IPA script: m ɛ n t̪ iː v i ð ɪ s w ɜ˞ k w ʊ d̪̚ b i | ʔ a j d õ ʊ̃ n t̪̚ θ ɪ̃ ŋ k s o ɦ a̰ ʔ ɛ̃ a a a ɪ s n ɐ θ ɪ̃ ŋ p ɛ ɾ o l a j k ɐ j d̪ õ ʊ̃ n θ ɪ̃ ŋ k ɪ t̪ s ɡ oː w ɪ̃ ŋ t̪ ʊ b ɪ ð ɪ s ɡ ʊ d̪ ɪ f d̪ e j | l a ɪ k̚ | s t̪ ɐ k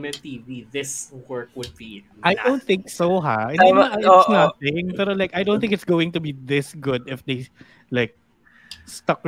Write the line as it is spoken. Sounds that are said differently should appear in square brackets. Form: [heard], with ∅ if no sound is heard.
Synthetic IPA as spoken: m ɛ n t̪ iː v i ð ɪ s w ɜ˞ k w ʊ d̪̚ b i | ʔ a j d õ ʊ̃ n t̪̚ θ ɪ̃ ŋ k s o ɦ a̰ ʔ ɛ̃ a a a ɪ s n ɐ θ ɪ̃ ŋ p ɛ ɾ o l a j k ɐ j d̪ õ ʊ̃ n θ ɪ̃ ŋ k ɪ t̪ s ɡ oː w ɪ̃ ŋ t̪ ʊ b [i] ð ɪ s ɡ ʊ d̪ ɪ f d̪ e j | l a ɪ k̚ | s t̪ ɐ k